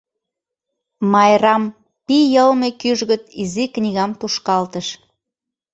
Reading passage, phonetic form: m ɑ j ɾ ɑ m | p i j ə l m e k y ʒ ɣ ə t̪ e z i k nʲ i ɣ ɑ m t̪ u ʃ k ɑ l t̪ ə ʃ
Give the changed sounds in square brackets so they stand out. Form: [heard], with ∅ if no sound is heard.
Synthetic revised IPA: m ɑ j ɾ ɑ m | p i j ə l m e k y ʒ ɣ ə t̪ [i] z i k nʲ i ɣ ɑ m t̪ u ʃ k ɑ l t̪ ə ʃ